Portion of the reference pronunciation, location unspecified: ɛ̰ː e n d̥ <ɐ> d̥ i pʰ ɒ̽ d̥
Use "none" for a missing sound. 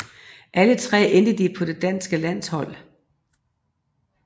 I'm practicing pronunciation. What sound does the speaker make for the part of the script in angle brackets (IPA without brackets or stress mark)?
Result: ə